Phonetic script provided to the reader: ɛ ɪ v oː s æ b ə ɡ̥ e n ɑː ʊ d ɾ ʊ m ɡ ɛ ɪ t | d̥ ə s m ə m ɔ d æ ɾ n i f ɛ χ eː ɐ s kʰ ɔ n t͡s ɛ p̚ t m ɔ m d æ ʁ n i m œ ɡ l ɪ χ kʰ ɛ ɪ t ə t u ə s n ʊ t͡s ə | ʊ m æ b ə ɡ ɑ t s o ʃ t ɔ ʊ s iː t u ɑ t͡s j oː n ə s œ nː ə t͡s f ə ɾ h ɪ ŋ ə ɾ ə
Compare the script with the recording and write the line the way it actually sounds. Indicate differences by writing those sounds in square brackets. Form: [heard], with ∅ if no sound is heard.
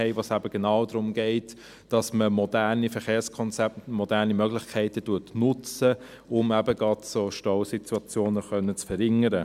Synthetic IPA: ɛ ɪ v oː s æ b ə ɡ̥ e n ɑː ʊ d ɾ ʊ m ɡ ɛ ɪ t | d̥ [ɑ] s m ə m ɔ d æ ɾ n i f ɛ χ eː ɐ s kʰ ɔ n t͡s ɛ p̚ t m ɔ [∅] d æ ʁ n i m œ ɡ l ɪ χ kʰ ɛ ɪ t ə t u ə [t] n ʊ t͡s ə | ʊ m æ b ə ɡ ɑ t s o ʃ t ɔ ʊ s [i] t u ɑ t͡s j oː n ə [χ] œ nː ə t͡s f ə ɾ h ɪ ŋ ə ɾ ə